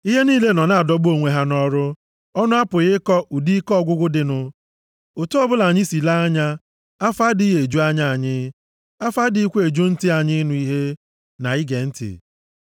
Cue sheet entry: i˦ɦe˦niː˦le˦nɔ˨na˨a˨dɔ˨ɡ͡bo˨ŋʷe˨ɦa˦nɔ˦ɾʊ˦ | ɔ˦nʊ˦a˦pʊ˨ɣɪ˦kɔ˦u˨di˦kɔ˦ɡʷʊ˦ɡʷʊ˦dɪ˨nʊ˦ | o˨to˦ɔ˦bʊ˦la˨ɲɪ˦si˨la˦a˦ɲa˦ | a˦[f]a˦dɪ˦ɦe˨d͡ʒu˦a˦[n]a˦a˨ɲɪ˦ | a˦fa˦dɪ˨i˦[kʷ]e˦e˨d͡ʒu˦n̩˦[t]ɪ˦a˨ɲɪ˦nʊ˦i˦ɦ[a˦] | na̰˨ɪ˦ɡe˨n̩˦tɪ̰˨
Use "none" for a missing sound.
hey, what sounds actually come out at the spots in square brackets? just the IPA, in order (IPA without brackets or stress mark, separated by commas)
f, ɲ, kʷ, t, e˦